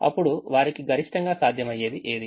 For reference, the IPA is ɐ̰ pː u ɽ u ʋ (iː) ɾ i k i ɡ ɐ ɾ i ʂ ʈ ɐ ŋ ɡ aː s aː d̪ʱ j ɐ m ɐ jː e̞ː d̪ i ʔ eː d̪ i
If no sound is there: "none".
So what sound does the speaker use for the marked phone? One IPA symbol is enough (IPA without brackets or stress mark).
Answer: aː